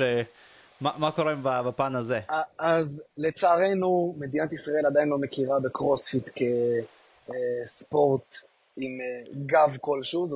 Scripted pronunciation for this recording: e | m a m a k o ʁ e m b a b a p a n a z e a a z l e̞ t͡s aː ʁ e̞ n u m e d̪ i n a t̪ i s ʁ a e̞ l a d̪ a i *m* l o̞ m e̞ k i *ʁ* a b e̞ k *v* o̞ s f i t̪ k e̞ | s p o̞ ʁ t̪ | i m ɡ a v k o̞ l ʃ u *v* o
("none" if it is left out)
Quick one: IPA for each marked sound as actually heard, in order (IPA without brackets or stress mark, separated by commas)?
n, ʁ, ʁ, z